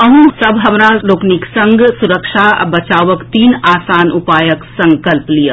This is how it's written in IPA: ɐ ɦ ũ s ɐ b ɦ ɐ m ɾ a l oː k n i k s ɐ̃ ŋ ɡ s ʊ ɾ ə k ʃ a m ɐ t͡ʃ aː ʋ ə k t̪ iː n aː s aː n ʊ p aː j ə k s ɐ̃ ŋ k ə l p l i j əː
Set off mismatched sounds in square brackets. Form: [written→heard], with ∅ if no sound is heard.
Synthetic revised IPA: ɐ ɦ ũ s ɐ b ɦ ɐ m ɾ a l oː k n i k s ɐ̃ ŋ ɡ s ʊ ɾ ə k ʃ a [m→b] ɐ t͡ʃ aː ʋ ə k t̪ iː n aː s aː n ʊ p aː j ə k s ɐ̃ ŋ k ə l p l i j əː